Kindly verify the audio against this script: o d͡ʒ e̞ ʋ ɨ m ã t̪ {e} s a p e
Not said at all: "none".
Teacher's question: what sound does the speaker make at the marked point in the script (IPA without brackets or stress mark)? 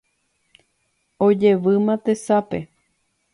e